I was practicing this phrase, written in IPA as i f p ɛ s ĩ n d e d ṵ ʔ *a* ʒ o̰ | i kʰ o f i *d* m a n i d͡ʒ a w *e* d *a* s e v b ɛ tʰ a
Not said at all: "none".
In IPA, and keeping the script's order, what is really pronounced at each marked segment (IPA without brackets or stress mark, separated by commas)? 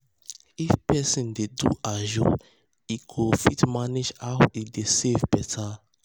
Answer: a, t, i, e